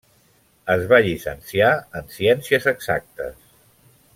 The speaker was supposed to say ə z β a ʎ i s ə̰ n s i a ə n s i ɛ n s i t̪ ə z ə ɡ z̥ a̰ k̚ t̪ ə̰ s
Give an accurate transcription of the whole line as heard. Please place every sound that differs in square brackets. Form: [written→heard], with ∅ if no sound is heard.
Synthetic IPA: ə z β a ʎ i s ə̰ n s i a ə n s i ɛ n s i [t̪→∅] ə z ə ɡ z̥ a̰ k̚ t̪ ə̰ s